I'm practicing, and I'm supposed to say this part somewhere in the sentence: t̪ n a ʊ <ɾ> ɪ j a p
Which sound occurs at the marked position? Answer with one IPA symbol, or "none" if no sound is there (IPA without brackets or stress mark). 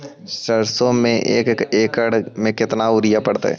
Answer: ɾ